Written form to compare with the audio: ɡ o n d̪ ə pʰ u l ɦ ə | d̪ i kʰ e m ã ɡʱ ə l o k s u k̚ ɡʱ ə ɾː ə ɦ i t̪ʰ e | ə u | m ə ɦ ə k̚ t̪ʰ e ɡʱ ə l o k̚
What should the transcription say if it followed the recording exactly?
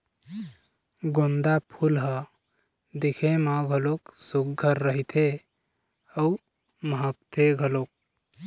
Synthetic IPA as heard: ɡ o n d̪ a pʰ u l ɦ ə | d̪ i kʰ e m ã ɡʱ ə l o k s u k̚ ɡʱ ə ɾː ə ɦ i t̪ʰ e | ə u | m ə ɦ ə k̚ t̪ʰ e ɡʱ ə l o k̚